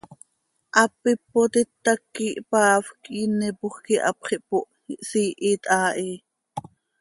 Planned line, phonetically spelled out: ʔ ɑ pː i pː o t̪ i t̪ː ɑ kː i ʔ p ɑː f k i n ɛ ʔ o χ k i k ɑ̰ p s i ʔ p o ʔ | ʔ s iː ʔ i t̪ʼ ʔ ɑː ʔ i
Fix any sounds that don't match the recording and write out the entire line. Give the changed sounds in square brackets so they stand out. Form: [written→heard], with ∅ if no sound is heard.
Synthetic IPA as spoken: ʔ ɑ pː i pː o t̪ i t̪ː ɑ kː i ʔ p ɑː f k i n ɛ [ʔ→p] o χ k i [k→ʔ] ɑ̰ p [s→χ] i ʔ p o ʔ | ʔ s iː ʔ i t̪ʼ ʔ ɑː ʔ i